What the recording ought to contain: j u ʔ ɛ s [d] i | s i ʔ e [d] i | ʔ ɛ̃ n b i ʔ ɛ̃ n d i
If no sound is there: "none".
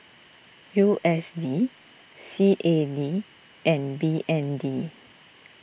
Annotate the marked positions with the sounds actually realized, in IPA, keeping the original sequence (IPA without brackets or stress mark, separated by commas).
d, d